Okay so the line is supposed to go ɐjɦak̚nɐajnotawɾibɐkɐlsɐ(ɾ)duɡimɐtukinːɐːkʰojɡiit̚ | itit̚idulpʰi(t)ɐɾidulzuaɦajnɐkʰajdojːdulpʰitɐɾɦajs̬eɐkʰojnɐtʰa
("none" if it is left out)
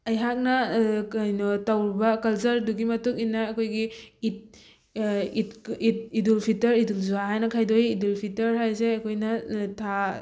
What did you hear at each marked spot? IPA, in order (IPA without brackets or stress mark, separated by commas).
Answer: ɾ, t